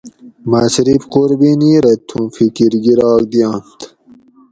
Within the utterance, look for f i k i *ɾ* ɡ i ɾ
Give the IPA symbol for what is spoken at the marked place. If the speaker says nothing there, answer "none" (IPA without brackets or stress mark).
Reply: ɾ